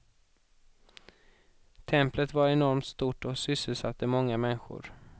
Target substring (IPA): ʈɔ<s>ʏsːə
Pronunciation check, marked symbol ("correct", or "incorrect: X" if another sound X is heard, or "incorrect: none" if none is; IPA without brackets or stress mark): correct